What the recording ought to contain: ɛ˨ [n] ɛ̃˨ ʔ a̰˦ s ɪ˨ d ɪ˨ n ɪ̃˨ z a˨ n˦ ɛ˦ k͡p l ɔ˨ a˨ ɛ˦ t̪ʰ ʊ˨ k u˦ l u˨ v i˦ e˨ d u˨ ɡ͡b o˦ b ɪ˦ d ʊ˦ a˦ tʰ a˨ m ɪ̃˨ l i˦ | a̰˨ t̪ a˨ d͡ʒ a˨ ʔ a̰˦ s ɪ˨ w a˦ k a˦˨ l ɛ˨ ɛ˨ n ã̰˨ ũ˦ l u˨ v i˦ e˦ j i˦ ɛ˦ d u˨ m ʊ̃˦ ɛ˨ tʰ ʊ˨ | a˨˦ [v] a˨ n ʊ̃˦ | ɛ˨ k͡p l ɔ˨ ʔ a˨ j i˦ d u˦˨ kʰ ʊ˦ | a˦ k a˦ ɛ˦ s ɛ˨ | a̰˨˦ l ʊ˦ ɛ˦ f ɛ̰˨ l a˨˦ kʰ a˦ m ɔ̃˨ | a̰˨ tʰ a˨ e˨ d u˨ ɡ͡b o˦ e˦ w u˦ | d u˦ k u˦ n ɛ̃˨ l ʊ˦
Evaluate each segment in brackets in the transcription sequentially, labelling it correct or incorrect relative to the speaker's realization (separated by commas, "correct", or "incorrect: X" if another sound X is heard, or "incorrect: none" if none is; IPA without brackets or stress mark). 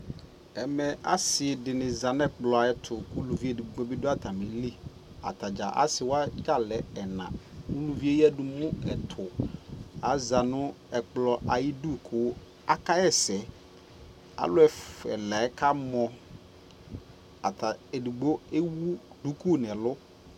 incorrect: m, incorrect: z